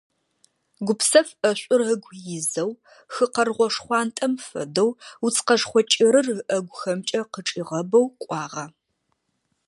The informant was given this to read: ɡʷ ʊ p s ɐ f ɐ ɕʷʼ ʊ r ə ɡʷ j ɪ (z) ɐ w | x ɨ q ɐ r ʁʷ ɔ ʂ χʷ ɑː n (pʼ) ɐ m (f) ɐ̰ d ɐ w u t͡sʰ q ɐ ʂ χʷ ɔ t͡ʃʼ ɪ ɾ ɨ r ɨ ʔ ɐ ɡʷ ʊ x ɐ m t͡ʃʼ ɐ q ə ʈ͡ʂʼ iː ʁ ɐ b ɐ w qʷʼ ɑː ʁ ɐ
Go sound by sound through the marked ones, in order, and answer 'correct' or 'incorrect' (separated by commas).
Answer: correct, incorrect, correct